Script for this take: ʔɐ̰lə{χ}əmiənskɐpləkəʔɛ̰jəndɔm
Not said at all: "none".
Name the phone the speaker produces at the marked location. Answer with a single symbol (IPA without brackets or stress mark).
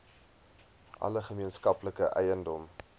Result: χ